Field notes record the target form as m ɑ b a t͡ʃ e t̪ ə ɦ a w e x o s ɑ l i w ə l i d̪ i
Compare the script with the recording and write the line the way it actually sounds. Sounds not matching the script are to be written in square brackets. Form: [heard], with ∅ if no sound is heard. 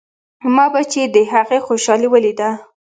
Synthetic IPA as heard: m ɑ b a t͡ʃ e [d̪] ə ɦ a [ɣ] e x o [ʃ] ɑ l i w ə l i d̪ [a]